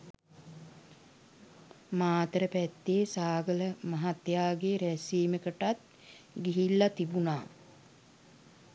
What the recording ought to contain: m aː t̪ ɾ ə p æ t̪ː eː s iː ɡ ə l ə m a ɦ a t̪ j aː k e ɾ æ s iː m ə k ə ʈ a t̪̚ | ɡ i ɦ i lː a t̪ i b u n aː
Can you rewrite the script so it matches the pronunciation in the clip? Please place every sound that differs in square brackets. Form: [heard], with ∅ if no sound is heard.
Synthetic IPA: m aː t̪ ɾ ə p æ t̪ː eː s [aː] ɡ ə l ə m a ɦ a t̪ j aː [ɡ] e ɾ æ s iː m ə k ə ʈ a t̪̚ | ɡ i ɦ i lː a t̪ i b u n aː